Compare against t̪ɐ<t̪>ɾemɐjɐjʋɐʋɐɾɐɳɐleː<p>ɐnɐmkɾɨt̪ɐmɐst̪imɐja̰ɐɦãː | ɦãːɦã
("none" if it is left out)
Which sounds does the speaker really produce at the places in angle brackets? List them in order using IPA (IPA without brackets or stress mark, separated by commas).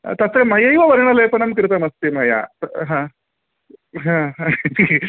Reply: t̪, p